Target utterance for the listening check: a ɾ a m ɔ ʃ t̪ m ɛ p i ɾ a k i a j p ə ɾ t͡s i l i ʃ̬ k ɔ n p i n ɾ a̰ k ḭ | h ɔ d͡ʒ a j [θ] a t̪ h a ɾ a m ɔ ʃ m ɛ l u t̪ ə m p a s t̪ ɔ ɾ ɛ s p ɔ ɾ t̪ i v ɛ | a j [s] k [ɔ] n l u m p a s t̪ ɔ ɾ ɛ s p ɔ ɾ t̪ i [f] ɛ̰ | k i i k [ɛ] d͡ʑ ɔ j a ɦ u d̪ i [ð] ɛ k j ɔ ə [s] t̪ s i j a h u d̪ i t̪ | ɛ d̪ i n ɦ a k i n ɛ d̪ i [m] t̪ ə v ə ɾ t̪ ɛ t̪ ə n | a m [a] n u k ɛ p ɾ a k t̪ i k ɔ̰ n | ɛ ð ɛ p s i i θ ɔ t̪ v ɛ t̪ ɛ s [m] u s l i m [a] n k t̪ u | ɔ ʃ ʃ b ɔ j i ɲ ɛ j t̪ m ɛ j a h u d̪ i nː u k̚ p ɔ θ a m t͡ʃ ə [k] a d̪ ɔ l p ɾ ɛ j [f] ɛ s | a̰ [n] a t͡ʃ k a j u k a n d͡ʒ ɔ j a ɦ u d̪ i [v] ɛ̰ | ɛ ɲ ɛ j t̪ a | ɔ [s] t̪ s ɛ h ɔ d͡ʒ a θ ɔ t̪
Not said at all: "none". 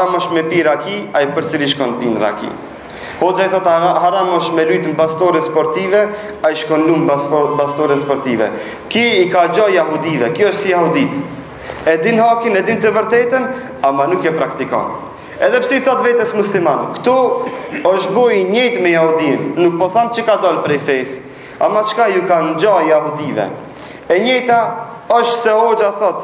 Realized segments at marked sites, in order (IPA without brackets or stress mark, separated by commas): θ, ʃ, ɔ, v, a, v, ʃ, n, a, m, a, k, f, m, v, ʃ